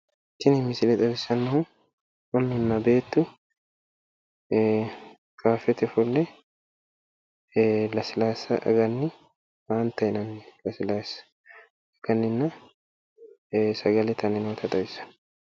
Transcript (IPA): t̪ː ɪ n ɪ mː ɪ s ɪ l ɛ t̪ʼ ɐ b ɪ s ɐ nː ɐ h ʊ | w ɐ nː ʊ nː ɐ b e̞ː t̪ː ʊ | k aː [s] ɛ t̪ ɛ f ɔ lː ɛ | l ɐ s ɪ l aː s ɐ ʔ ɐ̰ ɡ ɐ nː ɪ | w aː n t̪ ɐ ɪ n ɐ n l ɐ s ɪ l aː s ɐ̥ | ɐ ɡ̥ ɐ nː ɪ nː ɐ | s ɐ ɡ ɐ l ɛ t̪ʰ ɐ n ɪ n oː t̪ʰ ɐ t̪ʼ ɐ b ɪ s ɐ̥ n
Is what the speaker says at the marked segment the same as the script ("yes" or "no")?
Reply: no